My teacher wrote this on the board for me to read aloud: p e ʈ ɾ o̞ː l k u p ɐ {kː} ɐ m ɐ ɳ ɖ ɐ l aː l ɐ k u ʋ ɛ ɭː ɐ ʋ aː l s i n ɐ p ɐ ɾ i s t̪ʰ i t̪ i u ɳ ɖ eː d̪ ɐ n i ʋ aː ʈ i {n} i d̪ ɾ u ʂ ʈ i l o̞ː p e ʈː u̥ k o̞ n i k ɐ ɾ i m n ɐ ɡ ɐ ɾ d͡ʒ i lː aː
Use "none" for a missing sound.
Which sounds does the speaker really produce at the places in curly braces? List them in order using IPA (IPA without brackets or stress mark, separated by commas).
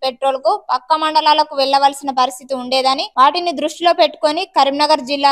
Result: kː, n